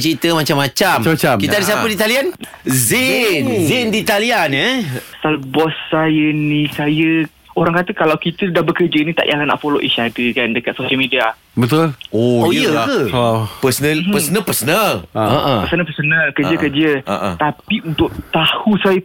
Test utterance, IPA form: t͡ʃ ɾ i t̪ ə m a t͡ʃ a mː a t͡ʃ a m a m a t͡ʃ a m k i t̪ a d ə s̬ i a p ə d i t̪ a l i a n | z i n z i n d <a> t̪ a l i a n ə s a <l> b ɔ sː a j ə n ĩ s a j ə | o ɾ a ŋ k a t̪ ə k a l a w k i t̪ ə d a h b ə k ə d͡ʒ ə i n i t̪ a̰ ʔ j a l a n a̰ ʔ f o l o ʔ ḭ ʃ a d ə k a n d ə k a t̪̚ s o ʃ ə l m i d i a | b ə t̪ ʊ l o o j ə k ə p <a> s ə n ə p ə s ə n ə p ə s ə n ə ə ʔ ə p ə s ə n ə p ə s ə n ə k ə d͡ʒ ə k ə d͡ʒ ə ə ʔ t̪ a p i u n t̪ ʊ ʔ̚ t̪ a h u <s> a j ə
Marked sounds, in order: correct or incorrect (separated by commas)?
incorrect, correct, incorrect, correct